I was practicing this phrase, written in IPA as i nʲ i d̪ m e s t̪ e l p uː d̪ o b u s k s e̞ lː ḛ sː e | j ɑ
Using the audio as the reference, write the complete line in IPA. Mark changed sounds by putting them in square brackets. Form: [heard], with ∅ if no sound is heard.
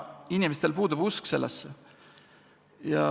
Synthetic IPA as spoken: i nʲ i [∅] m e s t̪ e l p uː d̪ [u] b u s k s e̞ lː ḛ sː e | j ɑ